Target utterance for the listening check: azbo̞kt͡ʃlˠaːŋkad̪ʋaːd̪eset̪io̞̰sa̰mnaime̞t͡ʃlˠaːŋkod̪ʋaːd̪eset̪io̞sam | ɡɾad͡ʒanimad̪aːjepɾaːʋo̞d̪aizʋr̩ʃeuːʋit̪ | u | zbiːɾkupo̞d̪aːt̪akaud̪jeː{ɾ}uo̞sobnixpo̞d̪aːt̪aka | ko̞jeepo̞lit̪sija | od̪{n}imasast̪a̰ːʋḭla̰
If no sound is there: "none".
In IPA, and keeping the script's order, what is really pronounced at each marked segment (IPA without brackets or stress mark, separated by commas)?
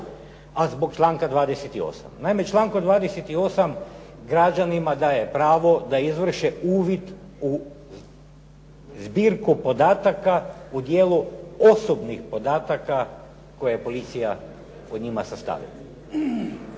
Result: l, ɲ